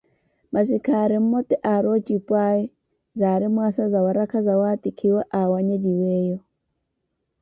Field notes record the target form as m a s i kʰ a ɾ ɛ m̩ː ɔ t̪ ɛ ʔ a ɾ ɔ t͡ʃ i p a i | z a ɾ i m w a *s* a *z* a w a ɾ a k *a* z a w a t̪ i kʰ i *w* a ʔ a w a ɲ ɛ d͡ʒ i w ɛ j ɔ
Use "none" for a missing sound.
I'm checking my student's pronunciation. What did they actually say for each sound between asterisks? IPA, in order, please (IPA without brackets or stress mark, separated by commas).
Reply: s, z, a, w